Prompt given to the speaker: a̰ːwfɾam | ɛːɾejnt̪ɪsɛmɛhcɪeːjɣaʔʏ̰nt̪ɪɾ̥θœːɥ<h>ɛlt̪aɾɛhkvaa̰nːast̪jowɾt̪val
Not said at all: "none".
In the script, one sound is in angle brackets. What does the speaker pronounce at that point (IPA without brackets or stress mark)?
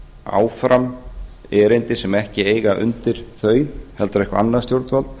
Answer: h